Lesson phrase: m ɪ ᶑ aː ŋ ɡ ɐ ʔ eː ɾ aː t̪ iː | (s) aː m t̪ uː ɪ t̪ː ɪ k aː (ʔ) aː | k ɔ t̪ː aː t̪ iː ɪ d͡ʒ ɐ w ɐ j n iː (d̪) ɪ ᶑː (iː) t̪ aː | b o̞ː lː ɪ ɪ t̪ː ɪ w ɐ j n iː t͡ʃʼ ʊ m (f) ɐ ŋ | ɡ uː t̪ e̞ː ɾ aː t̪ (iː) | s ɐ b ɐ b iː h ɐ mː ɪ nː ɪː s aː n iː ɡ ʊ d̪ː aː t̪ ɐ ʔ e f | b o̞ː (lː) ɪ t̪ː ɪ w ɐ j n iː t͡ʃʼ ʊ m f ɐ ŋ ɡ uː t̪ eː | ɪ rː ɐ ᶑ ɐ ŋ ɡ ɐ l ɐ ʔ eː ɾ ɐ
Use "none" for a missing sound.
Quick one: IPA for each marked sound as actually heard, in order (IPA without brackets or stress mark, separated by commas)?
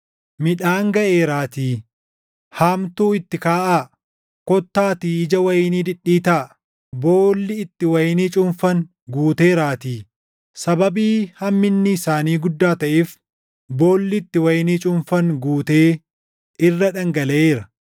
h, ʔ, d̪, iː, f, iː, lː